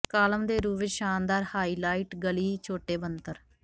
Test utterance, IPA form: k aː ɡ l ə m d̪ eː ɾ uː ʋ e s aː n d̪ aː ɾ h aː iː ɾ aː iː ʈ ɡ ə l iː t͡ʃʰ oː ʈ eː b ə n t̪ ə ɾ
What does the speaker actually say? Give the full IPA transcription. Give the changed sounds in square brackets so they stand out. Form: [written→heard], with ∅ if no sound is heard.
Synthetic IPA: k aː [ɡ→∅] l ə m d̪ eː ɾ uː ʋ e [s→ʃ] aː n d̪ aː ɾ h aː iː [ɾ→l] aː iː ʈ ɡ ə l iː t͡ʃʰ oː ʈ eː b ə n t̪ ə ɾ